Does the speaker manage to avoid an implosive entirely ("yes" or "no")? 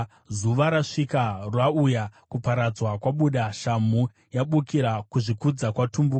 no